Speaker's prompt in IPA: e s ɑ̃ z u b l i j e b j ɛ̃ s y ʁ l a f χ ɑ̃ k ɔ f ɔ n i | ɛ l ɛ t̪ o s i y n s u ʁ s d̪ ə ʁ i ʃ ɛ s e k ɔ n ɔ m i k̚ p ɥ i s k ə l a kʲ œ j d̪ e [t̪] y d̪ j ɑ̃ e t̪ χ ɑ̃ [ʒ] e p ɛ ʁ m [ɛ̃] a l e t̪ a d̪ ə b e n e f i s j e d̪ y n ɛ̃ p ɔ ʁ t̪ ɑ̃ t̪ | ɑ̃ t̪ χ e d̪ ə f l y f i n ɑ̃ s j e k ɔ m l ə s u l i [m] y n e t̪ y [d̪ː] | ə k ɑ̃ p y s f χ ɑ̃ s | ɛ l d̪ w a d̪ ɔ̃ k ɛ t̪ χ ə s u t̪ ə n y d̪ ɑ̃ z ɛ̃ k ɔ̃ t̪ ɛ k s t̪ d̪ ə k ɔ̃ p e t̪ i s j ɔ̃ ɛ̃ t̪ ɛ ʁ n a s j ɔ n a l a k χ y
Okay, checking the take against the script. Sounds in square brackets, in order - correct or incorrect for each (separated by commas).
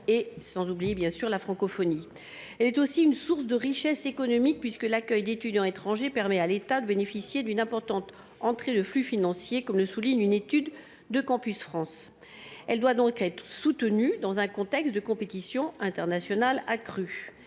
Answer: correct, correct, incorrect, incorrect, correct